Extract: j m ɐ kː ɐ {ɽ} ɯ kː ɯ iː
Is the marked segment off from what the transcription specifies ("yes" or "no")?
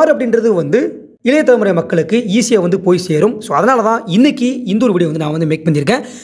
yes